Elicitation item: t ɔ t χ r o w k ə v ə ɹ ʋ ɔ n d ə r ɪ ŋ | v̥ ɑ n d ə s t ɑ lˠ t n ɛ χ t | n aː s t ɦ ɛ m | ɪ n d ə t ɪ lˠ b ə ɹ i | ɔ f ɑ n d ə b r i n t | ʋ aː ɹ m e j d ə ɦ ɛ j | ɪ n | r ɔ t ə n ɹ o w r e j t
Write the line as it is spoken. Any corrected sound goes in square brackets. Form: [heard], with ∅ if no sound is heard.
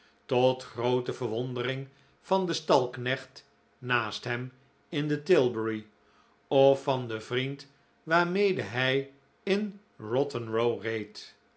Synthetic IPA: t ɔ t χ r o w [t] ə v ə ɹ ʋ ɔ n d ə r ɪ ŋ | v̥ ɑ n d ə s t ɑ lˠ [k] n ɛ χ t | n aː s t ɦ ɛ m | ɪ n d ə t ɪ lˠ b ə ɹ i | ɔ f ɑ n d ə [v] r i n t | ʋ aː ɹ m e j d ə ɦ ɛ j | ɪ n | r ɔ t ə n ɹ o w r e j t